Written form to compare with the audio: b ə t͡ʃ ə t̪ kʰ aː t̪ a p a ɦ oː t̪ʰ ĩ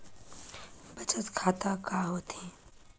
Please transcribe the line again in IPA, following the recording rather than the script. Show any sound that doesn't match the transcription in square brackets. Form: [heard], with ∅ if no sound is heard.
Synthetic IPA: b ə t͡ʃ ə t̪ kʰ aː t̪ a [k] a ɦ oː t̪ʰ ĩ